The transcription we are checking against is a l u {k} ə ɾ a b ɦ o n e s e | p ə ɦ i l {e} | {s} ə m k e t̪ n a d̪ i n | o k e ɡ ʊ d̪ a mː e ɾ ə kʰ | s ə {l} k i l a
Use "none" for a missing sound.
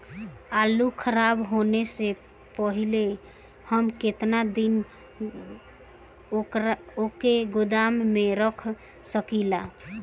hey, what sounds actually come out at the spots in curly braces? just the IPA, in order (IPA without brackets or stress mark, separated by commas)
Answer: kʰ, e, h, none